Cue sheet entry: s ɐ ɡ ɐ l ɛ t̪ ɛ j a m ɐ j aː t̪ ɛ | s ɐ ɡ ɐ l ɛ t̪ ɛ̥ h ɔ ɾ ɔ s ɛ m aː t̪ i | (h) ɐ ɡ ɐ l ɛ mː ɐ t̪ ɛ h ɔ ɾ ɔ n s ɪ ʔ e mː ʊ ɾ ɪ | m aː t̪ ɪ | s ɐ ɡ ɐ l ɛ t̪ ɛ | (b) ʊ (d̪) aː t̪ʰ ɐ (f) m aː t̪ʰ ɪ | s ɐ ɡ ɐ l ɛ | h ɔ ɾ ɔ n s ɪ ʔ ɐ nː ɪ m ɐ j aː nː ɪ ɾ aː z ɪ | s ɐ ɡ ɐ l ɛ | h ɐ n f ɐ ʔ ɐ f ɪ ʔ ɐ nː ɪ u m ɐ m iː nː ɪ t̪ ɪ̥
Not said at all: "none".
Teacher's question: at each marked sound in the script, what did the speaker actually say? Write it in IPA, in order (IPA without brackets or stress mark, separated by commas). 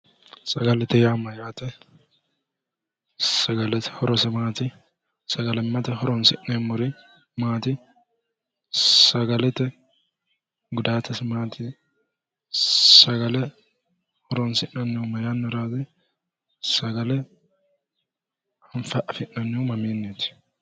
s, ɡ, d̪, s